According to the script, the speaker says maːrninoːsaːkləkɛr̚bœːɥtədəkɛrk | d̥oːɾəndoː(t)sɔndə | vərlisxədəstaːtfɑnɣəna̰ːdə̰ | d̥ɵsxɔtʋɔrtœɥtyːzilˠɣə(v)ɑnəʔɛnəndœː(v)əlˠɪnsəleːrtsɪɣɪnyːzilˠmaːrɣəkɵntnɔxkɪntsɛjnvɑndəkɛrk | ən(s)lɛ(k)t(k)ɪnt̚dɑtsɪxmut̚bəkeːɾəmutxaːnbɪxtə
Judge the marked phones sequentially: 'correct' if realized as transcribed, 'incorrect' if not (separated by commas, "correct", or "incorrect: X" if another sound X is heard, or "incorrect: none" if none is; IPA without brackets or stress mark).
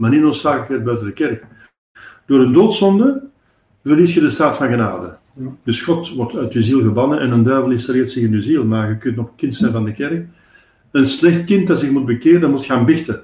correct, incorrect: b, correct, correct, incorrect: x, correct